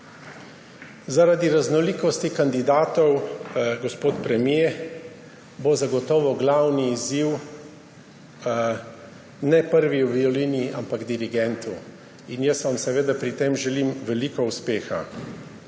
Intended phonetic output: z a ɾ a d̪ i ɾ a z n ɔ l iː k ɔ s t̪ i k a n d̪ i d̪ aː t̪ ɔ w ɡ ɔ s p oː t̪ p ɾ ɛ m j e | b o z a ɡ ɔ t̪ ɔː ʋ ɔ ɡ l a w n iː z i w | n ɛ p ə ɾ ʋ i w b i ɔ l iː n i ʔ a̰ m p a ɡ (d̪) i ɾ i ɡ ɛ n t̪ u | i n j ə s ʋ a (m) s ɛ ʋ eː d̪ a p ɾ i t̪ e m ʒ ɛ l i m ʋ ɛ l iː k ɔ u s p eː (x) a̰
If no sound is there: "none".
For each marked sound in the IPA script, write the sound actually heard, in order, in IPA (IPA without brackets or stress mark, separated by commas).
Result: d̪, m, x